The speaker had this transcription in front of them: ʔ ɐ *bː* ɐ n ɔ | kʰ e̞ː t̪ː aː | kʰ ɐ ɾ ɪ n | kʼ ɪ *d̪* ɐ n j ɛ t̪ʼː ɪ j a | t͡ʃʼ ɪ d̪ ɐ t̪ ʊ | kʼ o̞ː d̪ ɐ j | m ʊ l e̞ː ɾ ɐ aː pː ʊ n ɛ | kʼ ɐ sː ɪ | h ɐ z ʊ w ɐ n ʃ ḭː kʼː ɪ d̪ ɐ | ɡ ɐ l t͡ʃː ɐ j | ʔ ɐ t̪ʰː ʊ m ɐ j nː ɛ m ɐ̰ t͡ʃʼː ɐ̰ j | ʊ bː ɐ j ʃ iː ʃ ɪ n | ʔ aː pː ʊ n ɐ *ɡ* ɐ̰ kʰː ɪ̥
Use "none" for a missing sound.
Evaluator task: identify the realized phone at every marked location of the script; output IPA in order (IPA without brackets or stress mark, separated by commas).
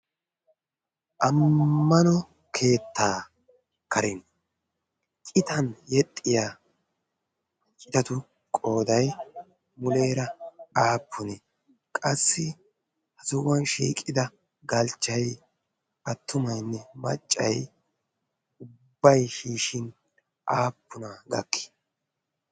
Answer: mː, t̪, ɡ